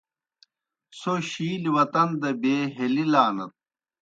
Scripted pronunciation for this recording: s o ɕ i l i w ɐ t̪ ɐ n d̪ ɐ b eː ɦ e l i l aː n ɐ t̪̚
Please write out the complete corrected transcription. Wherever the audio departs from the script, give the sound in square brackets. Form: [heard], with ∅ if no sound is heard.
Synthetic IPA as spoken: s o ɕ [iː] l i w ɐ t̪ ɐ n d̪ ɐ b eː ɦ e l i l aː n ɐ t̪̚